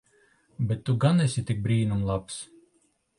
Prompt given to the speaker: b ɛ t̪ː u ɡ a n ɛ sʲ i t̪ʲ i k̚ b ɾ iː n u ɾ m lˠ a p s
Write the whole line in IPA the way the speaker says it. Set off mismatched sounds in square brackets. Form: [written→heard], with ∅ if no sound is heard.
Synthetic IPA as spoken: b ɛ t̪ː u ɡ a n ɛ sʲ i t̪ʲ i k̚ b ɾ iː n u [ɾ→∅] m lˠ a p s